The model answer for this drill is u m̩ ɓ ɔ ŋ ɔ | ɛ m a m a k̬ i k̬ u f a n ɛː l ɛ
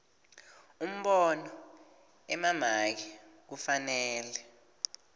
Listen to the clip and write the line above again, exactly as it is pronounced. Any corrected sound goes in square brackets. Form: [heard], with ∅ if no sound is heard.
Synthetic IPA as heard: u m̩ ɓ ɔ [n] ɔ | ɛ m a m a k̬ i k̬ u f a n ɛː l ɛ